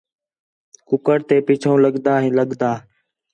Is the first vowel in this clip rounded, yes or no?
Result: yes